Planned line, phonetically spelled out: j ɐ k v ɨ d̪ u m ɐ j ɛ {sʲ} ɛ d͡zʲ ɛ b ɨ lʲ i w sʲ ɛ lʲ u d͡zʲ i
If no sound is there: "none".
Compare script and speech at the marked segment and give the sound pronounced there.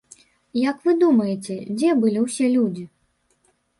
t͡sʲ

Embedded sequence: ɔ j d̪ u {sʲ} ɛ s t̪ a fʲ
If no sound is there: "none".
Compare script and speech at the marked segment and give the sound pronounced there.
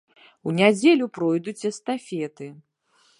t͡sʲ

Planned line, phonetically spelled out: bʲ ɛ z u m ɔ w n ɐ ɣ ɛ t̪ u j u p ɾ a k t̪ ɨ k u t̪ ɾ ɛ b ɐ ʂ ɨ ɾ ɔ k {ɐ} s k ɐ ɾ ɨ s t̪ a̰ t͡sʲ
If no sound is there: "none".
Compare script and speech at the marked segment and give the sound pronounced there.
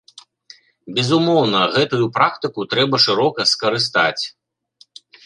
ɐ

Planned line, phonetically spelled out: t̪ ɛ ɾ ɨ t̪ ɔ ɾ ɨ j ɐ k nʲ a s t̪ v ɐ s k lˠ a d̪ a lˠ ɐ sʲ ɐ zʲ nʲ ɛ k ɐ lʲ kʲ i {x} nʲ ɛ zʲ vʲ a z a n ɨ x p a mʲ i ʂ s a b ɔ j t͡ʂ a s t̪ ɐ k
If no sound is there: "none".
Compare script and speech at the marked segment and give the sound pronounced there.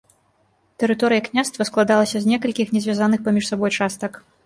x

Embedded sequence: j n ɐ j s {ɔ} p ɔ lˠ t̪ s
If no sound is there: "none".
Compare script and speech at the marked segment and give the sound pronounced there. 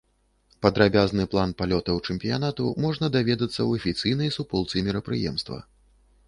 u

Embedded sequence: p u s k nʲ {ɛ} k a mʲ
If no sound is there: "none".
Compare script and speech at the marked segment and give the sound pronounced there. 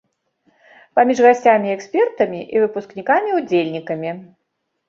i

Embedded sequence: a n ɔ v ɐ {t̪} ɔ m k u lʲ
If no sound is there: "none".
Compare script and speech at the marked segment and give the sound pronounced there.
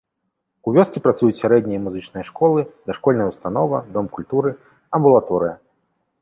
d̪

